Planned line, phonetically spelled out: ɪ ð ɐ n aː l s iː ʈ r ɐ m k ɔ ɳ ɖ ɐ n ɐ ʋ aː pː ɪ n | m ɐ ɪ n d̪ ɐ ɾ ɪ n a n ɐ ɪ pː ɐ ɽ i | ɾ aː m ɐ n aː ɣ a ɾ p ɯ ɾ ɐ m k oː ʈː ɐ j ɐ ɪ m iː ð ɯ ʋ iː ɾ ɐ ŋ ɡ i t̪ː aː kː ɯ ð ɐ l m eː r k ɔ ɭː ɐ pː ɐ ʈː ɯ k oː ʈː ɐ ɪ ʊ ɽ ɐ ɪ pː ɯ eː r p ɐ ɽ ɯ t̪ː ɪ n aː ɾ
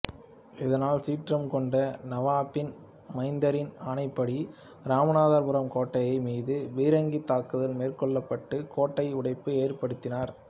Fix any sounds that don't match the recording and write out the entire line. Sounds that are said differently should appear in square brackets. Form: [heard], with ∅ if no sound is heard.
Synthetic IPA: ɪ ð ɐ n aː l s iː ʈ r ɐ m k ɔ ɳ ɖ ɐ n ɐ ʋ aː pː ɪ n | m ɐ ɪ n d̪ ɐ ɾ ɪ n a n ɐ ɪ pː ɐ ɽ i | ɾ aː m ɐ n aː [ð] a ɾ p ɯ ɾ ɐ m k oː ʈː ɐ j ɐ ɪ m iː ð ɯ ʋ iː ɾ ɐ ŋ ɡ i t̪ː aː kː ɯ ð ɐ l m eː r k ɔ ɭː ɐ pː ɐ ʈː ɯ k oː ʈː ɐ ɪ ʊ ɽ ɐ ɪ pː ɯ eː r p ɐ ɽ ɯ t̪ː ɪ n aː ɾ